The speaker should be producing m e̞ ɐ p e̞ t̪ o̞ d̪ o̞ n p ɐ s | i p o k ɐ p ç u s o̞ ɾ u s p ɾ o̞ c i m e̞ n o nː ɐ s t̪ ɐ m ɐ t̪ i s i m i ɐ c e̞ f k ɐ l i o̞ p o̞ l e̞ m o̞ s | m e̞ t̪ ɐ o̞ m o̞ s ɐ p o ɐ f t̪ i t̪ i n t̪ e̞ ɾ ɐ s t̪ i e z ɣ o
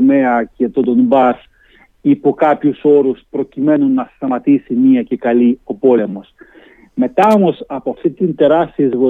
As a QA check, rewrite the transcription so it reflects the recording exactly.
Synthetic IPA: m e̞ ɐ c e̞ t̪ o̞ d̪ o̞ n b ɐ s | i p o k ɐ p ç u s o̞ ɾ u s p ɾ o̞ c i m e̞ n u nː ɐ s t̪ ɐ m ɐ t̪ i s i m i ɐ c e̞ k ɐ l i o̞ p o̞ l e̞ m o̞ s | m e̞ t̪ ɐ o̞ m o̞ s ɐ p o ɐ f t̪ i t̪ i n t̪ e̞ ɾ ɐ s t̪ i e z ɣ o